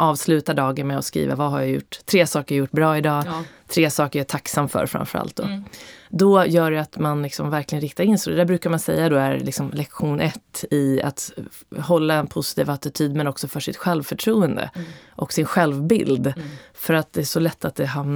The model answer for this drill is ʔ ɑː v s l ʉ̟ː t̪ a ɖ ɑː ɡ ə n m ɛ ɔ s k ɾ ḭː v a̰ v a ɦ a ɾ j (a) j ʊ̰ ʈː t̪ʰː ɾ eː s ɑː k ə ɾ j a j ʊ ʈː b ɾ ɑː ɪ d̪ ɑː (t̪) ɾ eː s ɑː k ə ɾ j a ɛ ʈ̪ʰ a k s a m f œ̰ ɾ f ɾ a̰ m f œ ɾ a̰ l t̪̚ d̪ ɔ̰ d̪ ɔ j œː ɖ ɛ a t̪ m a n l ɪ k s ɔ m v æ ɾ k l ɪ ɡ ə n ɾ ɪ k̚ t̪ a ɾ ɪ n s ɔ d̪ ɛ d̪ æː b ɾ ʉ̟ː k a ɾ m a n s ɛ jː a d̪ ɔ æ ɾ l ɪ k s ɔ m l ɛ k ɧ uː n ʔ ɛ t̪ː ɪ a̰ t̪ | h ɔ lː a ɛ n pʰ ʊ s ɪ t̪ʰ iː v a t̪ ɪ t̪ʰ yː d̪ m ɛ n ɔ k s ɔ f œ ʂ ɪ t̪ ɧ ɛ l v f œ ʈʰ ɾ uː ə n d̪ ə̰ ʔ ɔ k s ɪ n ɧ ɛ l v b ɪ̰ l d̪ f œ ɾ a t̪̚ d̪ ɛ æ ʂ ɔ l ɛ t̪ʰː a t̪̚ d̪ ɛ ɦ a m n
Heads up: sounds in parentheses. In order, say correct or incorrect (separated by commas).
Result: correct, incorrect